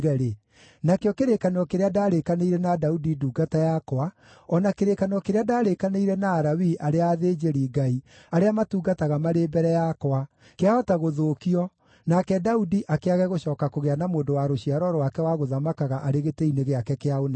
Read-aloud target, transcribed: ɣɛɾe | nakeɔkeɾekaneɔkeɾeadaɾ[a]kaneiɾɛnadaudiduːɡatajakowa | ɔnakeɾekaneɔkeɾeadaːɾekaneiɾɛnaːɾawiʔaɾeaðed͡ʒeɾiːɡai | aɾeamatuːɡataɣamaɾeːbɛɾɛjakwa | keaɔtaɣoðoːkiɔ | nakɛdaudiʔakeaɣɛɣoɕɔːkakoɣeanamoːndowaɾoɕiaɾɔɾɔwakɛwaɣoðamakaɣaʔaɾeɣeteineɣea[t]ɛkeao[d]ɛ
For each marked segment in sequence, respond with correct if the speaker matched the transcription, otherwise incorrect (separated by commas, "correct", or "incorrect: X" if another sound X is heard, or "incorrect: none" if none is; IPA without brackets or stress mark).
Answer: incorrect: e, incorrect: k, incorrect: n